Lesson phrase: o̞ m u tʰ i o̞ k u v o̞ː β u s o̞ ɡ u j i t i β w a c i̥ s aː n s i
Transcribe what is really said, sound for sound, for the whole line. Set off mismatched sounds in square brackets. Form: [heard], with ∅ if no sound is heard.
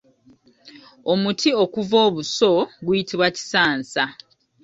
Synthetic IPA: o̞ m u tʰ i o̞ k u v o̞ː β u s o̞ ɡ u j i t i β w a c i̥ s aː n s [a]